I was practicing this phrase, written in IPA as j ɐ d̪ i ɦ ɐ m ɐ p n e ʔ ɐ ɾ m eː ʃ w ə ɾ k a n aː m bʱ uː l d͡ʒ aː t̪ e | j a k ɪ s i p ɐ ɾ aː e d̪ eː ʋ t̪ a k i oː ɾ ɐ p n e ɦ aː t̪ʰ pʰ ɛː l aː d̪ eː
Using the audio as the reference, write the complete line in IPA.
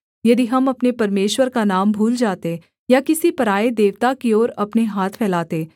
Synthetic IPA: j ɐ d̪ i ɦ ɐ m ɐ p n e p ɐ ɾ m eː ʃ w ə ɾ k a n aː m bʱ uː l d͡ʒ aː t̪ e | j a k ɪ s i p ɐ ɾ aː e d̪ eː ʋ t̪ a k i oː ɾ ɐ p n e ɦ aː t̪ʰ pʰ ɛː l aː t̪ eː

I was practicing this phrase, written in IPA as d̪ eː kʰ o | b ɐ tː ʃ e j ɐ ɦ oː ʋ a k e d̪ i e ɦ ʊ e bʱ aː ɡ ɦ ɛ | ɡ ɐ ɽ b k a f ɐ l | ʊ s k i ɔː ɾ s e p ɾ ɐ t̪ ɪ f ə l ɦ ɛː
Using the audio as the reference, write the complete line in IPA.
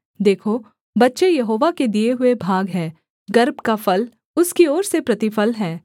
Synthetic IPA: d̪ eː kʰ o | b ɐ tː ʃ e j ɐ ɦ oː ʋ a k e d̪ i e ɦ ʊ e bʱ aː ɡ ɦ ɛː | ɡ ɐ ɾ b k a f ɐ l | ʊ s k i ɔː ɾ s e p ɾ ɐ t̪ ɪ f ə l ɦ ɛː

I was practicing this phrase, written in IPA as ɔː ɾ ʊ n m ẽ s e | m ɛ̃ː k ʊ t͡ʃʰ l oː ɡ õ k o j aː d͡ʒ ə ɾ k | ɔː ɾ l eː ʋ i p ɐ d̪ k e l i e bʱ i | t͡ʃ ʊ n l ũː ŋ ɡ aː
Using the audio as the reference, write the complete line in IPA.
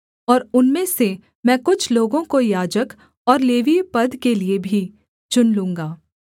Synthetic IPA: ɔː ɾ ʊ n m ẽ s e | m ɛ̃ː k ʊ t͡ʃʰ l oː ɡ õ k o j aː d͡ʒ ə k | ɔː ɾ l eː ʋ i p ɐ d̪ k e l i e bʱ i | t͡ʃ ʊ n l ũː ŋ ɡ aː

